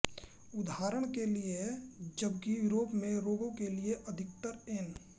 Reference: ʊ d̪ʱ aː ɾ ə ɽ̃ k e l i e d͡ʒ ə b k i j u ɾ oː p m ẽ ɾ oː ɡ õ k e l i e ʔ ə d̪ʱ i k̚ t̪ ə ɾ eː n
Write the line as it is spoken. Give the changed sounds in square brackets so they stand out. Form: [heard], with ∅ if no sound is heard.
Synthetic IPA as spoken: ʊ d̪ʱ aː ɾ ə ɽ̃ k e l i e d͡ʒ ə b k i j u ɾ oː p m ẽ ɾ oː ɡ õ k e l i e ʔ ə d̪ʱ [ɪ] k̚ t̪ ə ɾ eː n